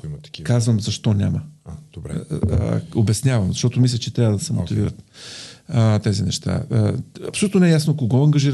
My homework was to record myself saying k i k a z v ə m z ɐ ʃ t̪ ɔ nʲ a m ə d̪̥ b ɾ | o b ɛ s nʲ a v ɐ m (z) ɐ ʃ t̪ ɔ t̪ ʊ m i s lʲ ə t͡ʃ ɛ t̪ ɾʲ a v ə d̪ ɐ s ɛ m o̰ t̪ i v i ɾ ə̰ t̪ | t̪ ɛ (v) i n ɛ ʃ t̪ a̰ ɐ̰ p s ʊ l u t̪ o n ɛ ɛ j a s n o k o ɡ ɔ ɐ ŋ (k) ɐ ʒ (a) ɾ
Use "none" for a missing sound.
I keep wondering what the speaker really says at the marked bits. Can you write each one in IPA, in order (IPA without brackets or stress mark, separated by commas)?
z, z, ɡ, i